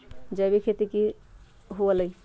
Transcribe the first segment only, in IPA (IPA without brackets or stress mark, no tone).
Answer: d͡ʒ